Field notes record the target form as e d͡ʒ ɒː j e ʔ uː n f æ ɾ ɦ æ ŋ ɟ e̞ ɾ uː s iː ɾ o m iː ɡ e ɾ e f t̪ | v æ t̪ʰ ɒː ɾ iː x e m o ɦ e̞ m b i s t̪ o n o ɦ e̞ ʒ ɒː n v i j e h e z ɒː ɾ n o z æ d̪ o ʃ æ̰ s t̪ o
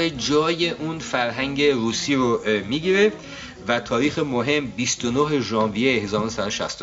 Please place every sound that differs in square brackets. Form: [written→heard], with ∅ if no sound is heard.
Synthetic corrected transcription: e d͡ʒ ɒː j e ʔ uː n f æ ɾ ɦ æ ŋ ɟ e̞ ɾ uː s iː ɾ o m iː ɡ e ɾ e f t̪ | v æ t̪ʰ ɒː ɾ iː x e m o ɦ e̞ m b i s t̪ o n o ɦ e̞ ʒ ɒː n v i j e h e z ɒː ɾ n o [z→s] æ d̪ o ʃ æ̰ s t̪ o